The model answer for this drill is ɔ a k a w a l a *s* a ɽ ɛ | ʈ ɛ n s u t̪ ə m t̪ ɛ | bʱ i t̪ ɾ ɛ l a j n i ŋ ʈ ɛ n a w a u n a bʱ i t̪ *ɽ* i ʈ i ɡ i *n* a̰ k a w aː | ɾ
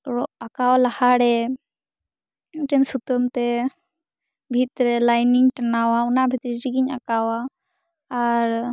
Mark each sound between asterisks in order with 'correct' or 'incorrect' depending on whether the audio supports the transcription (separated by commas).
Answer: incorrect, incorrect, incorrect